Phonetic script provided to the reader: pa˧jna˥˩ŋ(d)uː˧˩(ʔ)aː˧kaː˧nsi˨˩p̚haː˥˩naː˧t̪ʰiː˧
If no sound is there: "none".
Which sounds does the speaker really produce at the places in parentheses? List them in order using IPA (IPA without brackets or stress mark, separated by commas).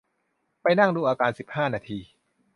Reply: d, ʔ